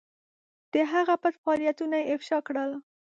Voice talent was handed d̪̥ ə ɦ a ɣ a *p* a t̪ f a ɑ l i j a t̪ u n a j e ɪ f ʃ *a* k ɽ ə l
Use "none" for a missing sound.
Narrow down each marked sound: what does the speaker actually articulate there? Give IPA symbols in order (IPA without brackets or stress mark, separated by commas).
p, ɑ